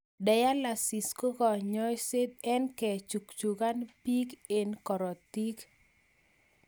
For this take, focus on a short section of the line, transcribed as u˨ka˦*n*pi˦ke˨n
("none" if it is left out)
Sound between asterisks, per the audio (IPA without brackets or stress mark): n